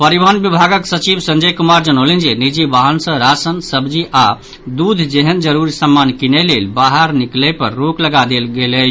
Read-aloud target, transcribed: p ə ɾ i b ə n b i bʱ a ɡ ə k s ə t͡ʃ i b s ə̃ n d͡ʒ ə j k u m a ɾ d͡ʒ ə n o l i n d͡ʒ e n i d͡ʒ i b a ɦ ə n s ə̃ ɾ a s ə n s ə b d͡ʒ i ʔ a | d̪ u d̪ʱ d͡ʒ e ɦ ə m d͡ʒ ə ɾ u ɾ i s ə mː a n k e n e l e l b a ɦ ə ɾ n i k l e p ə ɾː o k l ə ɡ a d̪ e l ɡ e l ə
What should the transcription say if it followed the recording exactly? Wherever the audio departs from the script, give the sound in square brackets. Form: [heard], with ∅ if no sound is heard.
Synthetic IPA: p ə ɾ i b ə n b i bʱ a ɡ ə k s ə t͡ʃ i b s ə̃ n d͡ʒ ə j k u m a ɾ d͡ʒ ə n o l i n d͡ʒ e n i d͡ʒ i b a ɦ ə n s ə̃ ɾ a s ə n s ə b d͡ʒ i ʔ a | d̪ u d̪ʱ d͡ʒ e ɦ ə [n] d͡ʒ ə ɾ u ɾ i s ə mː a n k [i] n e l e l b a ɦ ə ɾ n i k l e p ə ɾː o k l ə ɡ a d̪ e l ɡ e l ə